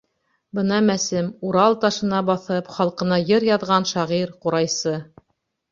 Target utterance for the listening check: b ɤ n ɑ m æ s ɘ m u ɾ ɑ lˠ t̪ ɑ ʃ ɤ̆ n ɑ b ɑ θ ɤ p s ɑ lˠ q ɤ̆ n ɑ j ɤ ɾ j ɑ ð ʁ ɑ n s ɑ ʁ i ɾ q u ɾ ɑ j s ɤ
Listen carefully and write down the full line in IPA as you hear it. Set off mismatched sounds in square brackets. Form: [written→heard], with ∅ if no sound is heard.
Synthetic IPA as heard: b ɤ n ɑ m æ s ɘ m u ɾ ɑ lˠ t̪ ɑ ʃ ɤ̆ n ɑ b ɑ θ ɤ p [s→χ] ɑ lˠ q ɤ̆ n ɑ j ɤ ɾ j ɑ ð ʁ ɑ n [s→ʃ] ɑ ʁ i ɾ q u ɾ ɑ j s ɤ